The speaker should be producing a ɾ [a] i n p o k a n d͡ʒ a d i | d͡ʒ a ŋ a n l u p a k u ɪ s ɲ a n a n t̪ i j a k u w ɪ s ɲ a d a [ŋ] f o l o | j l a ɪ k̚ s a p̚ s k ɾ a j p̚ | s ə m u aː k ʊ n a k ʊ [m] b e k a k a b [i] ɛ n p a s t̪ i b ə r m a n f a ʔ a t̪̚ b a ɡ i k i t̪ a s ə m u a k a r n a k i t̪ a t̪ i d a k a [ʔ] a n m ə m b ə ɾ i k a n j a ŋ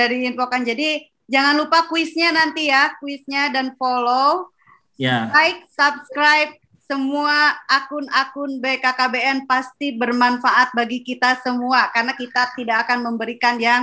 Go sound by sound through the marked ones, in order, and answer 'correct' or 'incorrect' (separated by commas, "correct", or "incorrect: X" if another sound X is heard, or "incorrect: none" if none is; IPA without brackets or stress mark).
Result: incorrect: i, incorrect: n, incorrect: n, incorrect: e, incorrect: k